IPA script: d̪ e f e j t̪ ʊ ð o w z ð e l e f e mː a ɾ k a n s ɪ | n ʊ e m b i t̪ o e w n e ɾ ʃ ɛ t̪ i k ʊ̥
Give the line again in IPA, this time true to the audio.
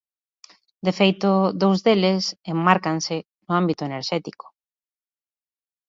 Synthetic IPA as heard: d̪ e f e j t̪ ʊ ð o w z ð e l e s e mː a ɾ k a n s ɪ | n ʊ a m b i t̪ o e n e ɾ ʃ ɛ t̪ i k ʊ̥